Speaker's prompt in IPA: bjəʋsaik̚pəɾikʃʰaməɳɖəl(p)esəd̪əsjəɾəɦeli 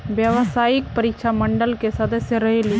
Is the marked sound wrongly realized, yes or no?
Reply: yes